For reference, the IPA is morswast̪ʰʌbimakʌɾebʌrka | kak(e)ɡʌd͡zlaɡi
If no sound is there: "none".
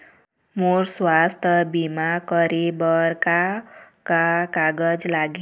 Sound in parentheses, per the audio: a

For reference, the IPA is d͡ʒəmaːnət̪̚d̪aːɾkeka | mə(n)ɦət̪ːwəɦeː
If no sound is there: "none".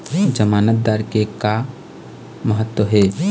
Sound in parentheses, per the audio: none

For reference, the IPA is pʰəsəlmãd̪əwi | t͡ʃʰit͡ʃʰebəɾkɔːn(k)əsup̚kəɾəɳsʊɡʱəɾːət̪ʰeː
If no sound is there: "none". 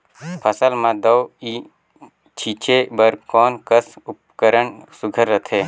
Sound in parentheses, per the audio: k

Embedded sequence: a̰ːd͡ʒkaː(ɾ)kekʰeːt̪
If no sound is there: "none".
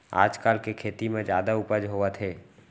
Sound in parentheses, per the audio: l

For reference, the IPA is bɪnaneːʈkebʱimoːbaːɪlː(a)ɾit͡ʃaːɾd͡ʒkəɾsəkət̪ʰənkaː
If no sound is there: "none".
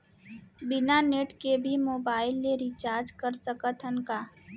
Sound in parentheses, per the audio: e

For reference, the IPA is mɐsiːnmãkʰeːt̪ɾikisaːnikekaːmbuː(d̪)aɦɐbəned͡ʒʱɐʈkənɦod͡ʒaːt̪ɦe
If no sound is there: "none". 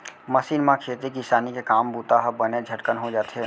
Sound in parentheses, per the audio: t̪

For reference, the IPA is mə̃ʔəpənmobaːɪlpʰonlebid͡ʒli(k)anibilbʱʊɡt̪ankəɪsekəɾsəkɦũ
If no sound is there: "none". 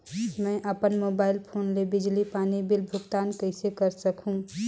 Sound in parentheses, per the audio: p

